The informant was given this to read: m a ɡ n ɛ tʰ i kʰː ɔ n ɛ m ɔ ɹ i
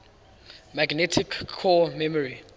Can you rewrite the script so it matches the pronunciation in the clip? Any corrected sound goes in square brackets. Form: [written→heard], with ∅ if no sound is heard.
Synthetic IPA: m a ɡ n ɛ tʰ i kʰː ɔ [n→m] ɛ m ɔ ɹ i